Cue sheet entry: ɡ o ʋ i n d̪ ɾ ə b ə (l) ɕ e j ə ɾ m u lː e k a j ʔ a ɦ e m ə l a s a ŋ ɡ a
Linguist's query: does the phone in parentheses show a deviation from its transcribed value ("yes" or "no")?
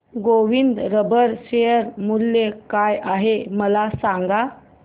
yes